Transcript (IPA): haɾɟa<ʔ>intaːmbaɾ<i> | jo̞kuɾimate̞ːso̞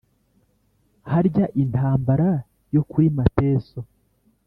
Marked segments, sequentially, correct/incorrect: correct, incorrect

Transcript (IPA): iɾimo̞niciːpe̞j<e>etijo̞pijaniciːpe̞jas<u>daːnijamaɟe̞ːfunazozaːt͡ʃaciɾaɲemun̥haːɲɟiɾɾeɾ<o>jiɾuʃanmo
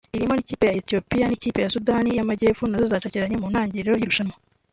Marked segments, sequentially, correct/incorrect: incorrect, correct, correct

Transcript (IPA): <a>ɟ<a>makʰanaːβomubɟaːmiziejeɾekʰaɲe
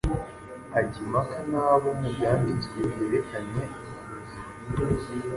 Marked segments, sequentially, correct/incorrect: correct, incorrect

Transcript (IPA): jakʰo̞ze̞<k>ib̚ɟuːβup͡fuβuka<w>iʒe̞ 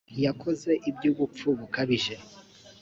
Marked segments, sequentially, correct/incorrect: incorrect, incorrect

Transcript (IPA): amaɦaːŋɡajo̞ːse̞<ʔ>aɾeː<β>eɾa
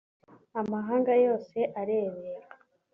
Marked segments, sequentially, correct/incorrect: correct, correct

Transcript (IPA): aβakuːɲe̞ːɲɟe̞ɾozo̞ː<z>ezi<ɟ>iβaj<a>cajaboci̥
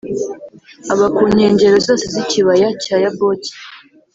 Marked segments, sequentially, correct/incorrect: incorrect, incorrect, correct

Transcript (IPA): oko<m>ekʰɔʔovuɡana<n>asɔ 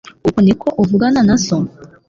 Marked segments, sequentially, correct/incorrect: incorrect, correct

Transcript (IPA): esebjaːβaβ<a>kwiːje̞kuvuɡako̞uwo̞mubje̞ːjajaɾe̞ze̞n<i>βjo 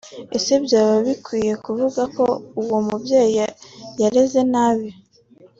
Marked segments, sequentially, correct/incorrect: incorrect, incorrect

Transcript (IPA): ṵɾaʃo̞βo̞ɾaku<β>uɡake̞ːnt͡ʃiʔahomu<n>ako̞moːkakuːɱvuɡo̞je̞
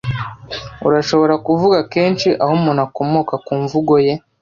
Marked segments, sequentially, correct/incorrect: incorrect, correct

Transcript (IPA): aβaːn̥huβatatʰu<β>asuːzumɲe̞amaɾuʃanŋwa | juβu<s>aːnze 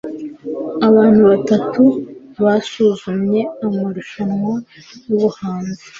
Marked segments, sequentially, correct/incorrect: correct, incorrect

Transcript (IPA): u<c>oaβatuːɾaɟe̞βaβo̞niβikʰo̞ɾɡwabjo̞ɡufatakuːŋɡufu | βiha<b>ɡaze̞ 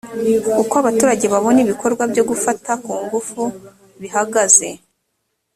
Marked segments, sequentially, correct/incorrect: incorrect, incorrect

